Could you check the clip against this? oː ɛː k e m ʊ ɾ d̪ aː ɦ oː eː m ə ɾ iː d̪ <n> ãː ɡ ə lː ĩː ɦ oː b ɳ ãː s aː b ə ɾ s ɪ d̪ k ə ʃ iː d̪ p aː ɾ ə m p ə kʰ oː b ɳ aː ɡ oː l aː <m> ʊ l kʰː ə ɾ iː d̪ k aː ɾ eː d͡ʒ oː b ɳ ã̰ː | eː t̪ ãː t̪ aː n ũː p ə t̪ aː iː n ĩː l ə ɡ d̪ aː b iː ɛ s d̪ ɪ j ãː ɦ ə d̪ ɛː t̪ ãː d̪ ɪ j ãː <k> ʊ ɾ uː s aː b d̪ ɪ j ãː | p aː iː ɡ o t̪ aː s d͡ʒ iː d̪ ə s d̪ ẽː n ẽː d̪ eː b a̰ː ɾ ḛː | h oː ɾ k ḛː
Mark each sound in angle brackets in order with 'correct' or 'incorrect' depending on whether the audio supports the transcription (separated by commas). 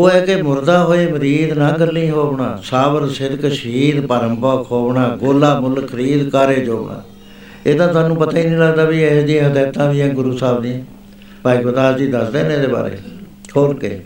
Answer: correct, correct, incorrect